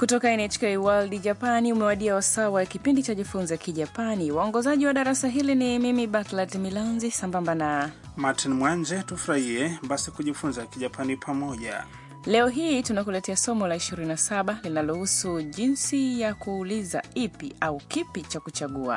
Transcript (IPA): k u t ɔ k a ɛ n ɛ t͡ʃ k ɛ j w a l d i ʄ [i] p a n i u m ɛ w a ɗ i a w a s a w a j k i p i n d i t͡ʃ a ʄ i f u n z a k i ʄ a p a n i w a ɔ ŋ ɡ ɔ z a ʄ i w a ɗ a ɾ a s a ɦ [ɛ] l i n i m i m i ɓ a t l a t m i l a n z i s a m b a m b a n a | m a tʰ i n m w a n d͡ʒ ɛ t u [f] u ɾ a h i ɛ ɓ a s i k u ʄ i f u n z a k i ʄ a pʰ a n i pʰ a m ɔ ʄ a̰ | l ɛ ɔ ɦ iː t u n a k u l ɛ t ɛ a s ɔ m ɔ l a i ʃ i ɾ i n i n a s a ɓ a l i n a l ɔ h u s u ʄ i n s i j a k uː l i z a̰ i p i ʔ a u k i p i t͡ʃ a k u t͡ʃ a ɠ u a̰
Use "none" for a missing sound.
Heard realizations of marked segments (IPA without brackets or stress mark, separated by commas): a, i, f